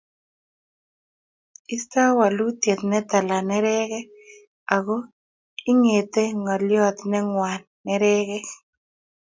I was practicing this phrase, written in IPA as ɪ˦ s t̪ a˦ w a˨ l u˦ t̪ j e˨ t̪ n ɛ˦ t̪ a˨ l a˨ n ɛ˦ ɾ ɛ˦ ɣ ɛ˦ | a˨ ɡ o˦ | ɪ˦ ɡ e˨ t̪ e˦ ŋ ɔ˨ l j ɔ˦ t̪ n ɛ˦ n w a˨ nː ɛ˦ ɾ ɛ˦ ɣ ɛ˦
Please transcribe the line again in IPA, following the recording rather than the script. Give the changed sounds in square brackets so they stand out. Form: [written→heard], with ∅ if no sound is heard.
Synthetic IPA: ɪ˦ s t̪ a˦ w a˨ l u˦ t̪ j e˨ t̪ n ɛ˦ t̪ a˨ l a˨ n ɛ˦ ɾ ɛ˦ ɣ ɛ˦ | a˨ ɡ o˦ | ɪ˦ [ɡ→ŋ] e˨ t̪ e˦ ŋ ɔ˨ l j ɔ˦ t̪ n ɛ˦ [n→ŋ] w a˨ nː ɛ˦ ɾ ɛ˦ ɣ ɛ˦